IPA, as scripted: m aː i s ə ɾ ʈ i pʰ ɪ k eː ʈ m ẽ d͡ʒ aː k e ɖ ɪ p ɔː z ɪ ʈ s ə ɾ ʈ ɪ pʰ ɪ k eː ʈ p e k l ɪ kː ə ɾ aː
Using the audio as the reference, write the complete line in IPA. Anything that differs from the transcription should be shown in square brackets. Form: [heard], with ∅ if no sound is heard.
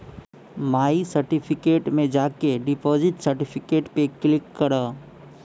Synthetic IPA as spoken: m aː i s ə ɾ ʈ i pʰ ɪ k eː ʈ m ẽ d͡ʒ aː k e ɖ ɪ p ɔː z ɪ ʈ s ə ɾ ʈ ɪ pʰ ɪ k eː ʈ p e k l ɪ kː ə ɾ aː